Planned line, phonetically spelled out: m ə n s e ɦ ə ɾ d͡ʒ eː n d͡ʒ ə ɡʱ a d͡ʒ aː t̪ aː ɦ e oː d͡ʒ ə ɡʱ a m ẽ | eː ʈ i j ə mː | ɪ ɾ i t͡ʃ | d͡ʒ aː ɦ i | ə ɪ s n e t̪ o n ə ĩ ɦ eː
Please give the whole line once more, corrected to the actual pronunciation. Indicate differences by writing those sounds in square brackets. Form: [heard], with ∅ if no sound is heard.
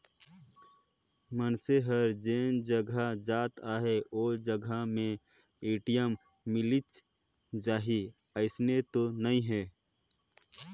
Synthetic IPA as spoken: m ə n s e ɦ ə ɾ d͡ʒ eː n d͡ʒ ə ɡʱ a d͡ʒ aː t̪ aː ɦ e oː d͡ʒ ə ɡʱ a m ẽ | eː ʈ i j ə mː | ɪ [l] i t͡ʃ | d͡ʒ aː ɦ i | ə ɪ s n e t̪ o n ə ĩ ɦ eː